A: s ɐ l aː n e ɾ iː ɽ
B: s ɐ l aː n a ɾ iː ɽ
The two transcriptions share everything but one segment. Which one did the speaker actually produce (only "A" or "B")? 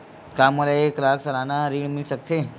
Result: B